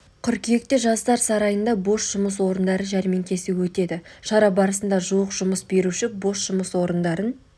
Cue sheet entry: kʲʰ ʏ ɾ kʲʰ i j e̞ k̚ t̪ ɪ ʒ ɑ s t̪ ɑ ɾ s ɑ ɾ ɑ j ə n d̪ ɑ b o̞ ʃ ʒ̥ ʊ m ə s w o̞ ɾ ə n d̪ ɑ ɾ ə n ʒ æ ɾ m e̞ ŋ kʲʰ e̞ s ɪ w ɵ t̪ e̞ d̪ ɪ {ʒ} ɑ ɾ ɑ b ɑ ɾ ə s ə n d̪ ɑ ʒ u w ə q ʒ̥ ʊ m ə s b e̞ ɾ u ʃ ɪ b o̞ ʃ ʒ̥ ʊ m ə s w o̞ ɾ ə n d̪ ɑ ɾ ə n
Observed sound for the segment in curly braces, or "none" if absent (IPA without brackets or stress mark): ʃ